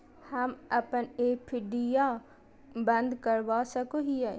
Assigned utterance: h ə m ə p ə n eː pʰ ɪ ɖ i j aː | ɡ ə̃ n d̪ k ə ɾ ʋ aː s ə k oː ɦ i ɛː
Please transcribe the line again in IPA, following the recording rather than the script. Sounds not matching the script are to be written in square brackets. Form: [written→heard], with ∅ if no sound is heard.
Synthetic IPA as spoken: h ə m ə p ə n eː pʰ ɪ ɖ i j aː | [ɡ→b] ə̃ n d̪ k ə ɾ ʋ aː s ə k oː ɦ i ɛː